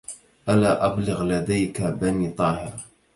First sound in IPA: ʔ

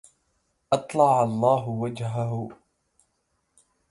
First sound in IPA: ʔ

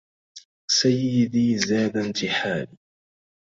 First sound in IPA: s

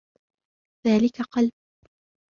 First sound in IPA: ð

